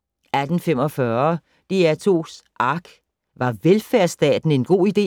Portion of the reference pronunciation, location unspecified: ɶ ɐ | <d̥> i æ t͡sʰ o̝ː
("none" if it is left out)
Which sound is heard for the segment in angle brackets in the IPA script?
d̥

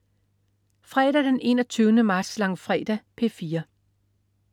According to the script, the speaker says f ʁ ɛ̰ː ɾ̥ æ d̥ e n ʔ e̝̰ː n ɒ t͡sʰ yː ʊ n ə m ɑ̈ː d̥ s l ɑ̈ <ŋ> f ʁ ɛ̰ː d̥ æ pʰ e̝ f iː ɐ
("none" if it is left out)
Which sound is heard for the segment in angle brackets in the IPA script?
ŋ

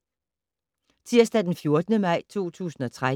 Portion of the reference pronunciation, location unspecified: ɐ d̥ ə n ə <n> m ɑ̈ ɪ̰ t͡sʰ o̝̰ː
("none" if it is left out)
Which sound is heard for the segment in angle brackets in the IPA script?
none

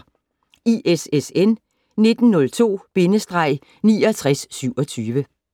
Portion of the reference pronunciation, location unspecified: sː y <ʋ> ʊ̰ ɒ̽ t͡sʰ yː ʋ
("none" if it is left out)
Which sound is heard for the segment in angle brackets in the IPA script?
none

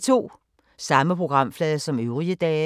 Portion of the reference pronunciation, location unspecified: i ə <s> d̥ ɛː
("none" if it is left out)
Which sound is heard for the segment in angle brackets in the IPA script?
none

